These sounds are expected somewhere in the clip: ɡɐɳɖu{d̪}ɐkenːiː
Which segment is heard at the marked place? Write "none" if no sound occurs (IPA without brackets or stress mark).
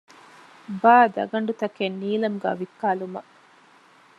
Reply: t̪